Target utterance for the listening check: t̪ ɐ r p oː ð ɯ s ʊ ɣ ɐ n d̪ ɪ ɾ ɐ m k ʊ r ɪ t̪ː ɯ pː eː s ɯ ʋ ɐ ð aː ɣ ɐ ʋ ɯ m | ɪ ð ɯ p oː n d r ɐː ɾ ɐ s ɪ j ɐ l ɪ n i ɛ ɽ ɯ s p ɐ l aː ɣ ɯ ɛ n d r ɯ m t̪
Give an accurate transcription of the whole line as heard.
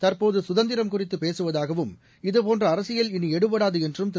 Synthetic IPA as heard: t̪ ɐ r p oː ð ɯ s ʊ ð ɐ n d̪ ɪ ɾ ɐ m k ʊ r ɪ t̪ː ɯ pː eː s ɯ ʋ ɐ ð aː ɣ ɐ ʋ ɯ m | ɪ ð ɯ p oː n d r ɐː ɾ ɐ s ɪ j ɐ l ɪ n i ɛ ɽ ɯ p ɐ ɽ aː ð ɯ ɛ n d r ɯ m t̪